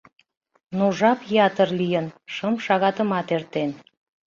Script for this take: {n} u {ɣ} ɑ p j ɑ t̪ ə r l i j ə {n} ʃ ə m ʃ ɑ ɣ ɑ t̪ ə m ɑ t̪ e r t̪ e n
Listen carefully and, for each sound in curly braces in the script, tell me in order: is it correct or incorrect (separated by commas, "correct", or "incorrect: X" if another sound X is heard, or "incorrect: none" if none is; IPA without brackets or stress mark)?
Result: correct, incorrect: ʒ, correct